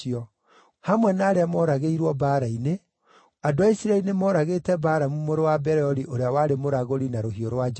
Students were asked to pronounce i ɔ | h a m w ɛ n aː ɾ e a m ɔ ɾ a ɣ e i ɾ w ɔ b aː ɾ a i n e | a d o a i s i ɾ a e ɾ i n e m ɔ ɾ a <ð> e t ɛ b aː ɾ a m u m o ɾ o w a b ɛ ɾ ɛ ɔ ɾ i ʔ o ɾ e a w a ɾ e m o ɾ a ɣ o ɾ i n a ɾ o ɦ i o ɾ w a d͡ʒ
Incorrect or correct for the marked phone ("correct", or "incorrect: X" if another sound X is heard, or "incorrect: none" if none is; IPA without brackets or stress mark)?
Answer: incorrect: ɣ